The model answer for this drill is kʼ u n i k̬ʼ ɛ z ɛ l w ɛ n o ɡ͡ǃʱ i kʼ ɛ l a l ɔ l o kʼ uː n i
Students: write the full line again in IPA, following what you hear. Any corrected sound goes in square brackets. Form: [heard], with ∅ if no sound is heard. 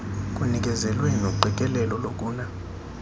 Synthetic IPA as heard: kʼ u n i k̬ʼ ɛ z ɛ l w ɛ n o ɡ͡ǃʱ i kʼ ɛ l [ɛ] l ɔ l o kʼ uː n [a]